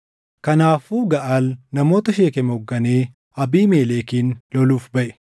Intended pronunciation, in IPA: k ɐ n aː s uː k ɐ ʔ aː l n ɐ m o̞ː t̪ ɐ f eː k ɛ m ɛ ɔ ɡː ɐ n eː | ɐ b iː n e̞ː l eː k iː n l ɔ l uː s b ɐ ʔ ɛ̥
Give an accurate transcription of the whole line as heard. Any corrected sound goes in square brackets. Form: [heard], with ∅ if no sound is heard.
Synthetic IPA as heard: k ɐ n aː [f] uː [ɡ] ɐ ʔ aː l n ɐ m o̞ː t̪ ɐ [ʃ] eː k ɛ m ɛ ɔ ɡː ɐ n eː | ɐ b iː [m] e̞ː l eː k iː n l ɔ l uː [f] b ɐ ʔ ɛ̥